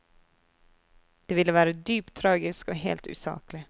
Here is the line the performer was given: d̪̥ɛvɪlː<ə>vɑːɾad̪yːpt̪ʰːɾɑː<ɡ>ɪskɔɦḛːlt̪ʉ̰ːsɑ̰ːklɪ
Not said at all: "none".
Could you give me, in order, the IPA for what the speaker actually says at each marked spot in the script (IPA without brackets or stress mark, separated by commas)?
ə, ɡ